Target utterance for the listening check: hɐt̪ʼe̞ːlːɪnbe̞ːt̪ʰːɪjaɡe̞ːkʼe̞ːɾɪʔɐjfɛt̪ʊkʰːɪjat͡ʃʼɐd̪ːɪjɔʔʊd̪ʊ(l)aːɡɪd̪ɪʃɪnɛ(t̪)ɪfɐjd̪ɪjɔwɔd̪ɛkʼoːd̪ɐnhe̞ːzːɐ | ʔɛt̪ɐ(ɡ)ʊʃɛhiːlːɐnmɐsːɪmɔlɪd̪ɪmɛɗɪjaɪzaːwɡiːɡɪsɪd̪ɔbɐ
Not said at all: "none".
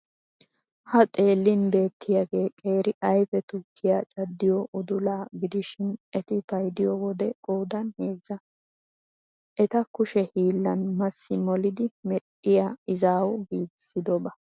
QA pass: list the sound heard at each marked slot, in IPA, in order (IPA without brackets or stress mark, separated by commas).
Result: l, t̪, k